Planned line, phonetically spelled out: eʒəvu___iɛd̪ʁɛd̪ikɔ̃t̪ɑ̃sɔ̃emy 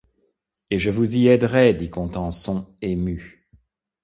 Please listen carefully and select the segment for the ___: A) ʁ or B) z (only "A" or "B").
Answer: B